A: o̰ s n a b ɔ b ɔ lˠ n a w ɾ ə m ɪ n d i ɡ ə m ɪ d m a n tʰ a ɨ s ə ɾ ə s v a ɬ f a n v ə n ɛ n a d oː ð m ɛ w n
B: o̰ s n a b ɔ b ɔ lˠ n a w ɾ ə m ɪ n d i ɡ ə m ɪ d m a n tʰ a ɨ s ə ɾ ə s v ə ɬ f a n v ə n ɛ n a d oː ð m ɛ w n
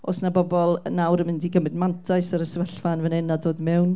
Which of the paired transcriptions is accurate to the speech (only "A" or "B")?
B